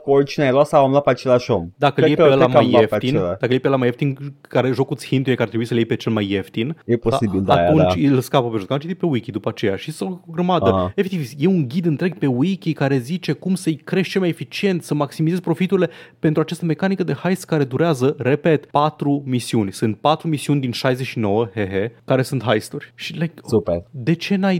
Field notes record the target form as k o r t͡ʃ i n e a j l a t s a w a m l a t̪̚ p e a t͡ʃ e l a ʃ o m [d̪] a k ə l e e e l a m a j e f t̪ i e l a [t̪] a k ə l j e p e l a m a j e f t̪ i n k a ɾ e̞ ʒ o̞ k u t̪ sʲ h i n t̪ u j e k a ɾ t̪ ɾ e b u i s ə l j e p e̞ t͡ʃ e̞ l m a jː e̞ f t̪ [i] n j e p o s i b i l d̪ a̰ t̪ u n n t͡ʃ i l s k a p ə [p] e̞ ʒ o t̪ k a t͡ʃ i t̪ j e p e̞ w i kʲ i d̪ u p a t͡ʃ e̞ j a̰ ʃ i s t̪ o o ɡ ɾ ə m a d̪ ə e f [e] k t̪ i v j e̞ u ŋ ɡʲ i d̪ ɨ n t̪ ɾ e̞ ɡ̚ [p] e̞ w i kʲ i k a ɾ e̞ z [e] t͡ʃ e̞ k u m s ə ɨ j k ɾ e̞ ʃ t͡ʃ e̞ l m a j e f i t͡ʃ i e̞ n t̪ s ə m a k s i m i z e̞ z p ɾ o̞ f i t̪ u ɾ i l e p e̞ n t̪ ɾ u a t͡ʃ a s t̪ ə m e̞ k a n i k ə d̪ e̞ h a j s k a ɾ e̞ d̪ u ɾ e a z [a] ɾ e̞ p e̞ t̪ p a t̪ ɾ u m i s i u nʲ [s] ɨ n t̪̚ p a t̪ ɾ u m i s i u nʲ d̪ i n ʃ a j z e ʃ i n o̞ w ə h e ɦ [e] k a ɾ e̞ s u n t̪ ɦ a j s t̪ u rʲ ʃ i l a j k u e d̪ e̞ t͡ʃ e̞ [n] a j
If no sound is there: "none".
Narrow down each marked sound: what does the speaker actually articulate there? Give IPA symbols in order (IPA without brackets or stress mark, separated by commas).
d̪, d̪, i, p, e, p, i, ə, s, e, n